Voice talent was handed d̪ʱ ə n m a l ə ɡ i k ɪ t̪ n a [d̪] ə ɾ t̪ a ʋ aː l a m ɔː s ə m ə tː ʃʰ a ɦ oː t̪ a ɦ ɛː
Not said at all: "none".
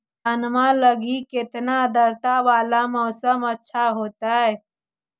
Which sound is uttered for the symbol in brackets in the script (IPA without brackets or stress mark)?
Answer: d̪